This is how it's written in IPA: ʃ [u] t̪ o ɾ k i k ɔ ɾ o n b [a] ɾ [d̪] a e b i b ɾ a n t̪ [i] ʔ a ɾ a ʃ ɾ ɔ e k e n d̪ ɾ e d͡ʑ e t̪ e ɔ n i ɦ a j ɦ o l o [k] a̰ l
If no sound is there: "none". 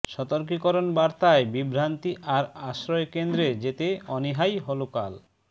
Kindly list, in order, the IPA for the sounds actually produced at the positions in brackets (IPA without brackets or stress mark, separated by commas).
ɔ, a, t̪, i, k